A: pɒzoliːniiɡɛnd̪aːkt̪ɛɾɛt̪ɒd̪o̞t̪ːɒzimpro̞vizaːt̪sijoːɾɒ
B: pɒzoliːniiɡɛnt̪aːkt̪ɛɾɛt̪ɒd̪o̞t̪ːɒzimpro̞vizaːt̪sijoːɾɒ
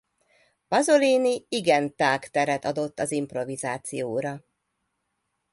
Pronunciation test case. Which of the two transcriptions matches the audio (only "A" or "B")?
B